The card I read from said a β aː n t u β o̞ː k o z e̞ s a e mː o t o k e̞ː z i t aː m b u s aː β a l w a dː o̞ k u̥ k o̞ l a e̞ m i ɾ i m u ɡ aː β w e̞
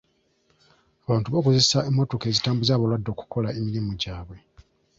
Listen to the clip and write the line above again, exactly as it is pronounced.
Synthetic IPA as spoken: a β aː n t u β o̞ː k o z e̞ s a e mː o t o k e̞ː z i t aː m b u z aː β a l w a dː o̞ k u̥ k o̞ l a e̞ m i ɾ i m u ɟ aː β w e̞